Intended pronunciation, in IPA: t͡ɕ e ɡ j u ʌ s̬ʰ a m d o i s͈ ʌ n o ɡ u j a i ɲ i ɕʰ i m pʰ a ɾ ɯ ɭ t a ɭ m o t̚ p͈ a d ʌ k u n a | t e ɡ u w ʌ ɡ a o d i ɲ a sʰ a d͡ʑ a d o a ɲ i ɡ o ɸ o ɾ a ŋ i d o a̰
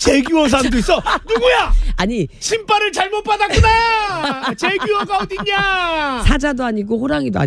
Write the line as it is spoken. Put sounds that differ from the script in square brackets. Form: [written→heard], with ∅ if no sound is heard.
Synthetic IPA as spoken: t͡ɕ e ɡ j u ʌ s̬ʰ a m d o i s͈ ʌ n [o→u] ɡ u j a [i→a] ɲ i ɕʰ i m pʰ a ɾ ɯ ɭ [t→t͡ɕ] a ɭ m o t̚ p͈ a d [ʌ→a] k u n a | [t→t͡ɕ] e ɡ u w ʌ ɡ a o d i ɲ a sʰ a d͡ʑ a d o a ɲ i ɡ o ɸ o ɾ a ŋ i d o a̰